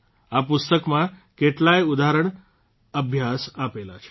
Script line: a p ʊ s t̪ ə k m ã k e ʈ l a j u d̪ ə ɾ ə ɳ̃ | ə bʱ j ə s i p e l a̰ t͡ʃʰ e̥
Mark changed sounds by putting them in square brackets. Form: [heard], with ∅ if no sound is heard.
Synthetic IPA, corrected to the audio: a p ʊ s t̪ ə k m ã k e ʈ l a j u d̪ [a] ɾ ə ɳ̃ | ə bʱ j [a] s [a] p e l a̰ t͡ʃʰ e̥